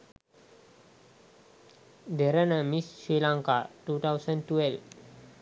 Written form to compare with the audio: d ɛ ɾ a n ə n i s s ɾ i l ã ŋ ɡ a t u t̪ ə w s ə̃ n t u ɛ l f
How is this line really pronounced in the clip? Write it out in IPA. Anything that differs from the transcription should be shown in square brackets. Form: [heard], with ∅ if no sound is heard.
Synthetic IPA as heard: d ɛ ɾ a n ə [m] i s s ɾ i l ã ŋ [k] a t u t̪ [a] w s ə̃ n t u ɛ l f